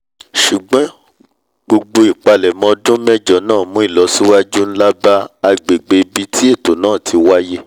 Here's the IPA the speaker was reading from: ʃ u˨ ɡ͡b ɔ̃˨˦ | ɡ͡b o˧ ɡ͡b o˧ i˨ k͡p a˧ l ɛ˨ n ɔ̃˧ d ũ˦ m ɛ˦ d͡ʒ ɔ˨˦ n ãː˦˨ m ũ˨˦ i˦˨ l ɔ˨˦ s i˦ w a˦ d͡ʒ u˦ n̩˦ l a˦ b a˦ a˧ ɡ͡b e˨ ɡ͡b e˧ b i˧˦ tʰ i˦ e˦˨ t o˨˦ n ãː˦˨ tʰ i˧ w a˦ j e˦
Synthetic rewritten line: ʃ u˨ ɡ͡b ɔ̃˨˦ | ɡ͡b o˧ ɡ͡b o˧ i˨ k͡p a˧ l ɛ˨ m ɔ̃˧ d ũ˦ m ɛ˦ d͡ʒ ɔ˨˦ n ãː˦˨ m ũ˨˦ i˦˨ l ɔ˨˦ s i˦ w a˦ d͡ʒ u˦ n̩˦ l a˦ b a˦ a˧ ɡ͡b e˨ ɡ͡b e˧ b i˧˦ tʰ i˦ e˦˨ t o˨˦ n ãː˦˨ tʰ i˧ w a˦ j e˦